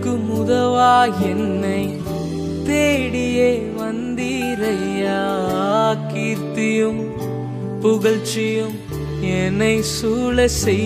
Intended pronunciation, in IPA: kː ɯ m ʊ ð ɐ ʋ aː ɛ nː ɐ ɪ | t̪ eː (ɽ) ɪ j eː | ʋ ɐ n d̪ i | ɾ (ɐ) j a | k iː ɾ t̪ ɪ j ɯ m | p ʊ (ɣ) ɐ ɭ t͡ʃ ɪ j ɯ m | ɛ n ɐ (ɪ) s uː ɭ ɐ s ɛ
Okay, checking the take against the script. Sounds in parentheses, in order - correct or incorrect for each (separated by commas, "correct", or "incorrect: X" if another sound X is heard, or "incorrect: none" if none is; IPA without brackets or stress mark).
correct, correct, correct, correct